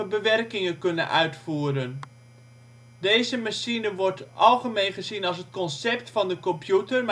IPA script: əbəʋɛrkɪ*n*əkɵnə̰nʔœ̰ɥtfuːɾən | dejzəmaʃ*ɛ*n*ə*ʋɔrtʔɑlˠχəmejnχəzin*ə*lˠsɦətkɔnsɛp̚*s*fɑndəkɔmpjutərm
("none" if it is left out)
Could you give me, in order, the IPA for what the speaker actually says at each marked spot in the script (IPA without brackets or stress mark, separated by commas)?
ŋ, i, ə, ɑ, t